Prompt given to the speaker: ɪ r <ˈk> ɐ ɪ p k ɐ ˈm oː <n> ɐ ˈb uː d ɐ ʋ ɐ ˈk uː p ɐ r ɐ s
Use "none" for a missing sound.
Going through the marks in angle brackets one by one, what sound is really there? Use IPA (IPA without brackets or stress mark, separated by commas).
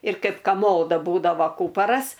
k, d